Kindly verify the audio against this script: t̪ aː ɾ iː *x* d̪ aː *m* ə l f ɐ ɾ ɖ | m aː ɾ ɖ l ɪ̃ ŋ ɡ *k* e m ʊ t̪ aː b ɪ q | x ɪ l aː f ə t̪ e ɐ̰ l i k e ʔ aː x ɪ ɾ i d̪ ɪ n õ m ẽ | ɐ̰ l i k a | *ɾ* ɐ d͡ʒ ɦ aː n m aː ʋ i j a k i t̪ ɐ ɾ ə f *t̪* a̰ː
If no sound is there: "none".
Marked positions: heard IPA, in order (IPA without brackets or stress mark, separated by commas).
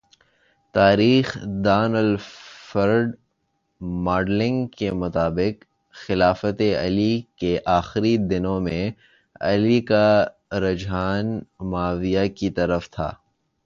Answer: x, n, k, ɾ, t̪ʰ